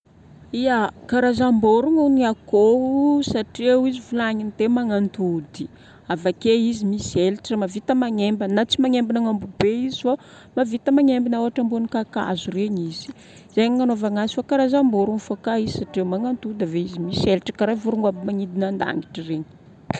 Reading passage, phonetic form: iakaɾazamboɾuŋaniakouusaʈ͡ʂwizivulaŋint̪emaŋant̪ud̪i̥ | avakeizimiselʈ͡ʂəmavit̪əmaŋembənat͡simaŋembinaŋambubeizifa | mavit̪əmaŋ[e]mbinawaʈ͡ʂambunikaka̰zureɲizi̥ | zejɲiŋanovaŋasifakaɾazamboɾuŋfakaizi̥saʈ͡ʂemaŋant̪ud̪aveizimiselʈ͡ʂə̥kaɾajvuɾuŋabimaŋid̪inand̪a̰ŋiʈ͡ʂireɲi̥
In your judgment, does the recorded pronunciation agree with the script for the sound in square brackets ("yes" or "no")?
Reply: yes